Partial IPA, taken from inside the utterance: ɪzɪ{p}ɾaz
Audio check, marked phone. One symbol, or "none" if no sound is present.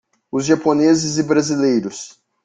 b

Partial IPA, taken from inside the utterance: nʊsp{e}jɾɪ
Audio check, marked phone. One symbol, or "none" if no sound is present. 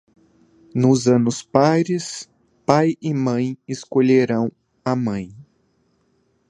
a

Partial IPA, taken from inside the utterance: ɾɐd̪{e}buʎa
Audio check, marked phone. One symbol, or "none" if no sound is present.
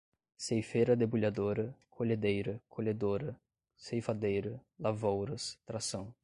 e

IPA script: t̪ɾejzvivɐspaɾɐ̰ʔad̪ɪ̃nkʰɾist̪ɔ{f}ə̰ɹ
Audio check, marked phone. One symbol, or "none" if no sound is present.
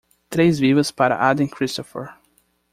f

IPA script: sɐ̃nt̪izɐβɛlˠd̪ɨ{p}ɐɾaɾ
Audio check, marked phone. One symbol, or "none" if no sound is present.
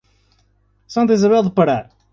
p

